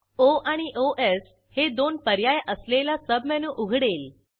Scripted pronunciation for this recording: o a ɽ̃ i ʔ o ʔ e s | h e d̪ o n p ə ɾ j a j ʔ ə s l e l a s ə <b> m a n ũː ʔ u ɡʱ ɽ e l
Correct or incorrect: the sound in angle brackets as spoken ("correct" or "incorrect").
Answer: correct